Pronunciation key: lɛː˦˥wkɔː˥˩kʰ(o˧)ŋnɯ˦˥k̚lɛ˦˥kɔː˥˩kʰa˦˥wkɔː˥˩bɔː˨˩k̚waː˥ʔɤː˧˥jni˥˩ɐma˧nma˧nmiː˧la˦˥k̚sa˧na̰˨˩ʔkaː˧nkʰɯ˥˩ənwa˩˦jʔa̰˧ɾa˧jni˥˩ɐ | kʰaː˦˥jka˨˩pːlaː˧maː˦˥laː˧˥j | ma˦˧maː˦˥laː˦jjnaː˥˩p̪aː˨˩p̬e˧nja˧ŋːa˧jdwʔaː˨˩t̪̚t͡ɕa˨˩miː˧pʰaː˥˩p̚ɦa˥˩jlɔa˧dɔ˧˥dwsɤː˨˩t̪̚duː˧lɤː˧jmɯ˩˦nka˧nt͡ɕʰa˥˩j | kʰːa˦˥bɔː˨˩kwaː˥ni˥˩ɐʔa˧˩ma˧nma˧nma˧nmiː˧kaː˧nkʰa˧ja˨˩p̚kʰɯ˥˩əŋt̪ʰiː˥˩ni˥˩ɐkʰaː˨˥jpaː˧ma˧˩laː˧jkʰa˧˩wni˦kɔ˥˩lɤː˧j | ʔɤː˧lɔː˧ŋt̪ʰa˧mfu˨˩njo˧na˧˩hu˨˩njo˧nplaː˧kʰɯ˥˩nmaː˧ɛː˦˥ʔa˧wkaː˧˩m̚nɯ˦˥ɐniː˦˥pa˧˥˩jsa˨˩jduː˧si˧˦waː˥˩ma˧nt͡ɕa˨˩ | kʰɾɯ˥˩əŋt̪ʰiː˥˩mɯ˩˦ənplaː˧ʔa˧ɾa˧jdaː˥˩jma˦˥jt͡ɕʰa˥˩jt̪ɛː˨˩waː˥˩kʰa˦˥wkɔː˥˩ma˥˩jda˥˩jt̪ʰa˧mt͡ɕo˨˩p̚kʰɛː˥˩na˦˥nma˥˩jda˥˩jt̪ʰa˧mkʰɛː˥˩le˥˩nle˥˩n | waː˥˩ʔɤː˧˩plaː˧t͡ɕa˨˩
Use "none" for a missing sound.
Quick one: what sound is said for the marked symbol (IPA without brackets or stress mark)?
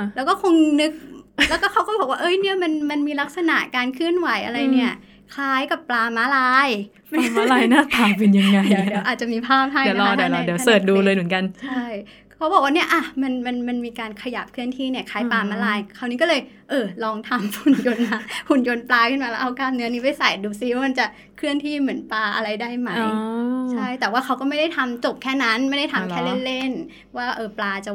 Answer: o˧